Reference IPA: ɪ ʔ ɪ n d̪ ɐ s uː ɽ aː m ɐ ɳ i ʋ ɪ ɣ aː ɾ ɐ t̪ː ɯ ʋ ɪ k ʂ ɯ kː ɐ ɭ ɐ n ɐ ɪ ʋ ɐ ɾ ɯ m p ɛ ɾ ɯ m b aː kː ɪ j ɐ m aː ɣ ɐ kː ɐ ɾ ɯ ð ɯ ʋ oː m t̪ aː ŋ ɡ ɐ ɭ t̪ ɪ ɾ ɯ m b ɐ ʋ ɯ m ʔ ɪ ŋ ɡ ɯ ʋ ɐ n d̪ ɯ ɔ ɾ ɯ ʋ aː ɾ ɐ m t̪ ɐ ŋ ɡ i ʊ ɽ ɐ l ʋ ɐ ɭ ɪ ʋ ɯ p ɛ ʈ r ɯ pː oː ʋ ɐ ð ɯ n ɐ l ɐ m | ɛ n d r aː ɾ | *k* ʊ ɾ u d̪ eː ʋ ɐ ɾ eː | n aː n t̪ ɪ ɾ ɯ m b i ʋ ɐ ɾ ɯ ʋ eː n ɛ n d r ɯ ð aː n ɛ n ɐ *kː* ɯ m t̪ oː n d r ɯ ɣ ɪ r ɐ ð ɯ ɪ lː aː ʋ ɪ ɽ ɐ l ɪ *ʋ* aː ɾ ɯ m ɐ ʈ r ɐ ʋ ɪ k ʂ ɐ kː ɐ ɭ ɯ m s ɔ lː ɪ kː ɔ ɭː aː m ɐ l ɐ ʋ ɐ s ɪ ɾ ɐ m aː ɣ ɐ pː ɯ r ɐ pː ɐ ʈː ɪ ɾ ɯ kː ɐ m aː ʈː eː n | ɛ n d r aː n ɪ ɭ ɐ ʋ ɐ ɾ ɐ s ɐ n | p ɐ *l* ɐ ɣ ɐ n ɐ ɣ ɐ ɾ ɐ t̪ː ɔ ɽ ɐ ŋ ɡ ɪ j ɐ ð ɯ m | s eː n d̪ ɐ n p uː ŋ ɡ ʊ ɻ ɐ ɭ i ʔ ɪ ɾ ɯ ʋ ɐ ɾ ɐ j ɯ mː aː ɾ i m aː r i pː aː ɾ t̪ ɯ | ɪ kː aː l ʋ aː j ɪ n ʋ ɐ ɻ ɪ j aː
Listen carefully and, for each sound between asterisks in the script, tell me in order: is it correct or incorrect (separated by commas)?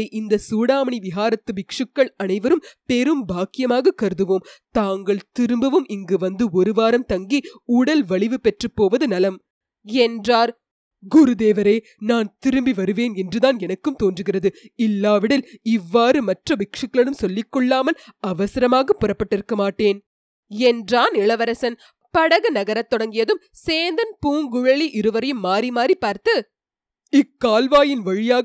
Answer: incorrect, correct, incorrect, incorrect